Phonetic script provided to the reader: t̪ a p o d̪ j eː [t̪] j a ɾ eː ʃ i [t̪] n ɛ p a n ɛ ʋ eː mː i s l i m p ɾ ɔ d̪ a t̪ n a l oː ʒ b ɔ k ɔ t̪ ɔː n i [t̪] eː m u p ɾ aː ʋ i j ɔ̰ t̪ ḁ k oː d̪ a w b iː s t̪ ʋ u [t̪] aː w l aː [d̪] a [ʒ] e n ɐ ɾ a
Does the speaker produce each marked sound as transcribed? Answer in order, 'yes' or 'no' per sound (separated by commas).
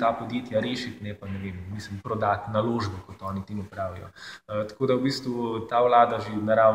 yes, yes, yes, yes, yes, yes